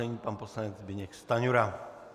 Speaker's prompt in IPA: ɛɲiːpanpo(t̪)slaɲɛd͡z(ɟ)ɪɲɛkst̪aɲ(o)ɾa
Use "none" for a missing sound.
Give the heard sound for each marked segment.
none, b, u

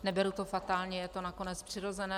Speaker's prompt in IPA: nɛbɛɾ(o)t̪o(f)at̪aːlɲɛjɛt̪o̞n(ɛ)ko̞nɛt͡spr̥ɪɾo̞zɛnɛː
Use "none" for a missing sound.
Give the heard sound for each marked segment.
u, f, a

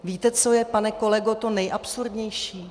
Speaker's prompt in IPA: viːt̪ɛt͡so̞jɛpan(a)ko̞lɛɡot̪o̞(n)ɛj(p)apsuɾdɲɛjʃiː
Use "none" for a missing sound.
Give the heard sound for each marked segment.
ɛ, n, ʔ

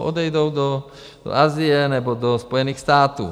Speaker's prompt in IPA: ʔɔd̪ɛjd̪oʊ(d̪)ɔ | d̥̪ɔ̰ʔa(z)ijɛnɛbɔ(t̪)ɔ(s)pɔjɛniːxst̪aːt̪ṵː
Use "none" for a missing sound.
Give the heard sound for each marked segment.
d̪, z, d̪, s

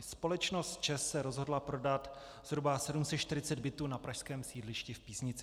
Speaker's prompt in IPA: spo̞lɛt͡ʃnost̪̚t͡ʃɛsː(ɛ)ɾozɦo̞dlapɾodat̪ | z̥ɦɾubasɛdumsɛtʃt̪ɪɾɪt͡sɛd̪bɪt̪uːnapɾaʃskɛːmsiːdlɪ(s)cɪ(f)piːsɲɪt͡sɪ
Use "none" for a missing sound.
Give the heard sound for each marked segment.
ɛ, ʃ, f

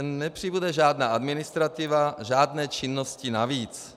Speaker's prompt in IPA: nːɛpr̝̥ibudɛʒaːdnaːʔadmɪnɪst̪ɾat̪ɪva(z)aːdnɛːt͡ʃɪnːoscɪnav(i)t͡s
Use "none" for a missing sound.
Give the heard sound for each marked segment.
ʒ, iː

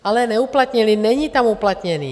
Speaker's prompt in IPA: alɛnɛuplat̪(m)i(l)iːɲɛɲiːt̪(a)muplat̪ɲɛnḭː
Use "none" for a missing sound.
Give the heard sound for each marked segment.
ɲ, l, a

